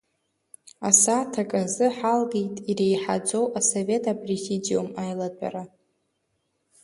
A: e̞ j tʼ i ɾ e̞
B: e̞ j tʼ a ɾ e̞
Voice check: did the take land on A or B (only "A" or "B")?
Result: A